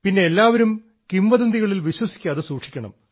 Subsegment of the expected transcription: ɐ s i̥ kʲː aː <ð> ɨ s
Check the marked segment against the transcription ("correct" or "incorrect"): correct